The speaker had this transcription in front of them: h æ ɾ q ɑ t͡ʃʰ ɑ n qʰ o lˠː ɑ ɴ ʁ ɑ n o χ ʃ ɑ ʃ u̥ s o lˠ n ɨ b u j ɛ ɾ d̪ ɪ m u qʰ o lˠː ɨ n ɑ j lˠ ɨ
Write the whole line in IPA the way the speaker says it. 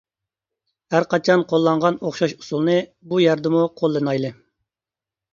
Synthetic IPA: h æ ɾ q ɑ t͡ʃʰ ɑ n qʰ o lˠː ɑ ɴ ʁ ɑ n o χ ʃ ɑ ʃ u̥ s u lˠ n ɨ b u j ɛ ɾ d̪ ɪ m u qʰ o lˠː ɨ n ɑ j lˠ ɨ